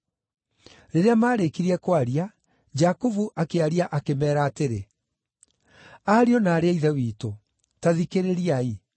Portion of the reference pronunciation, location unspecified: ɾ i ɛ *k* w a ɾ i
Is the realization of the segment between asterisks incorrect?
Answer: no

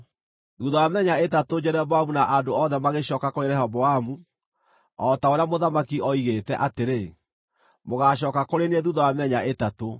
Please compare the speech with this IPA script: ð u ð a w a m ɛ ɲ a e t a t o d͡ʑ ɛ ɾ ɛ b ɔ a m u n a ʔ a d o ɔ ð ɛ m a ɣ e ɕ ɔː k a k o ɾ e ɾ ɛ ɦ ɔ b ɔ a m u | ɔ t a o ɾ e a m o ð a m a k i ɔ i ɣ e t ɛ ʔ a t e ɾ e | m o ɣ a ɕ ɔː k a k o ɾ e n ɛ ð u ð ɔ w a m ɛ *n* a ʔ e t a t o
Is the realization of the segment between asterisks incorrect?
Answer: yes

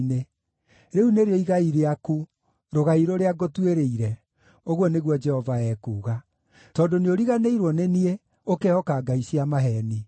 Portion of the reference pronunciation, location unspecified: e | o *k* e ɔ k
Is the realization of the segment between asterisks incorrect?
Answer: no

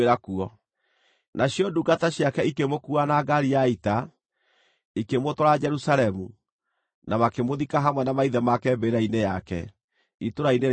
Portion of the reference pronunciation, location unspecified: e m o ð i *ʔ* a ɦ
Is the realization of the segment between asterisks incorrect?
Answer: yes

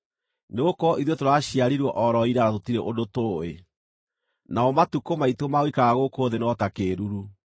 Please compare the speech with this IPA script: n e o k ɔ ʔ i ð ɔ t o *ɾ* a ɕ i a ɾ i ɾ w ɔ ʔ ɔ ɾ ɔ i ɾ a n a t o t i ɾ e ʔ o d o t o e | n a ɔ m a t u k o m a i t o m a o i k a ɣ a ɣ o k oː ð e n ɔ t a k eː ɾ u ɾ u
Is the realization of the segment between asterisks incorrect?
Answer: no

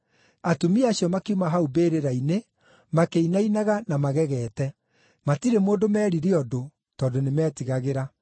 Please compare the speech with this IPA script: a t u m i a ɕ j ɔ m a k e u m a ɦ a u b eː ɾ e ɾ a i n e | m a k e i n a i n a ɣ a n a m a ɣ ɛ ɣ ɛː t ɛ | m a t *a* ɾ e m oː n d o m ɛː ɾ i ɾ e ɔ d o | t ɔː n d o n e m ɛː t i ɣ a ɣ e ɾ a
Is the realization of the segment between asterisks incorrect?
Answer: yes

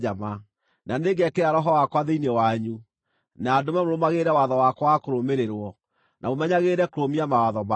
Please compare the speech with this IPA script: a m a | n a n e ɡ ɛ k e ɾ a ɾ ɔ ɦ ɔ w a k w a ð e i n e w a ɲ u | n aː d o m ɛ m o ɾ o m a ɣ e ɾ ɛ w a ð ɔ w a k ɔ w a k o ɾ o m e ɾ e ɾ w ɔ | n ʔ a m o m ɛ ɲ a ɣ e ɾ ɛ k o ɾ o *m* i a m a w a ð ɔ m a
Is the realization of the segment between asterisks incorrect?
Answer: no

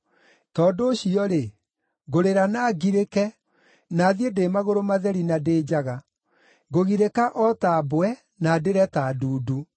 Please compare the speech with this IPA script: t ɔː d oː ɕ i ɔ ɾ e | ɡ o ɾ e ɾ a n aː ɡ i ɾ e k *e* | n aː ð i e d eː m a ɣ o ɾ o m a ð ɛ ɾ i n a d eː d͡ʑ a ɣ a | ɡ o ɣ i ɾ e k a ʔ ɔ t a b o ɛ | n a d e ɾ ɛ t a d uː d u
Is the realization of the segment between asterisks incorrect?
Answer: yes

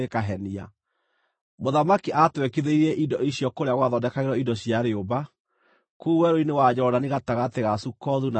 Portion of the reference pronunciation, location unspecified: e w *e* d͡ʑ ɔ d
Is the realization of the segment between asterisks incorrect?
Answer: yes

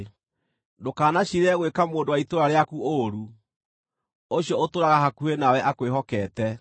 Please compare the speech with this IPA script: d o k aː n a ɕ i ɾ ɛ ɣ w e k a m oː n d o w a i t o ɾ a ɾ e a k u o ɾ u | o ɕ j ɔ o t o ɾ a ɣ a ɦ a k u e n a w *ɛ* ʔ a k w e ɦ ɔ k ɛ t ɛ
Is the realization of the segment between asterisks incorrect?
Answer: no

